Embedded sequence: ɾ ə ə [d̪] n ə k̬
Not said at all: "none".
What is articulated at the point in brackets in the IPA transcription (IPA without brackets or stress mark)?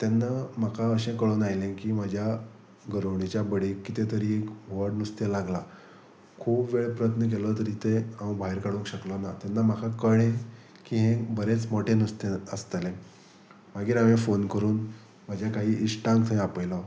t̪